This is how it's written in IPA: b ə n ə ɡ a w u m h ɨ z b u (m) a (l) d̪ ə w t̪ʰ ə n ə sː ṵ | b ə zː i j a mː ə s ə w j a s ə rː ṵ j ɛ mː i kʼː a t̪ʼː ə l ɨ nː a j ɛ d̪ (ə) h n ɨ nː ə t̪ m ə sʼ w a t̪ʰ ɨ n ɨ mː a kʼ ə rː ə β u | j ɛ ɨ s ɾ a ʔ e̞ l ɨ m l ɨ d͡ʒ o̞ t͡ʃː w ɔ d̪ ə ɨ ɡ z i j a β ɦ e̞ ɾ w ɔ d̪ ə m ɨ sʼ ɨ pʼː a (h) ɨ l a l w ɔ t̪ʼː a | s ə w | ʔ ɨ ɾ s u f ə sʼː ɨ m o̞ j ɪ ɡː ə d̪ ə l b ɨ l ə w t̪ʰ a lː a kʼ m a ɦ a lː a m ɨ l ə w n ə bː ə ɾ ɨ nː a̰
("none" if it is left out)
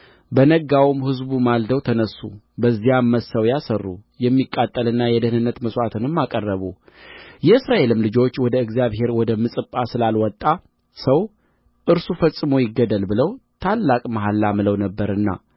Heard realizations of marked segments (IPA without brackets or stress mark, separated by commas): m, l, ə, s